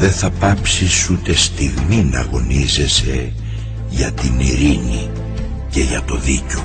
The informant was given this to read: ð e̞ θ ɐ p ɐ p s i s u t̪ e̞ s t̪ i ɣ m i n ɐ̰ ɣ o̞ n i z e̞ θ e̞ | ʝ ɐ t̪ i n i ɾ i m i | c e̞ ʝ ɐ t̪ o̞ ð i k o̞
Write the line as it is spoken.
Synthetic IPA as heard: ð e̞ θ ɐ p ɐ p s i s u t̪ e̞ s t̪ i ɣ m i n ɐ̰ ɣ o̞ n i z e̞ s e̞ | ʝ ɐ t̪ i n i ɾ i n i | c e̞ ʝ ɐ t̪ o̞ ð i c o̞